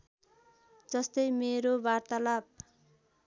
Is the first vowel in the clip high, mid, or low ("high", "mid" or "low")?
mid